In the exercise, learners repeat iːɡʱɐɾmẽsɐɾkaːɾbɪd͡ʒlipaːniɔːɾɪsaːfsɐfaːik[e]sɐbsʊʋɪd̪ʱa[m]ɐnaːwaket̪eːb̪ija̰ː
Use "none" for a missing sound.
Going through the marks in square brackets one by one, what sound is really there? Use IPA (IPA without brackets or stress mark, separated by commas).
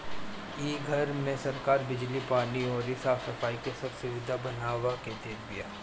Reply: e, b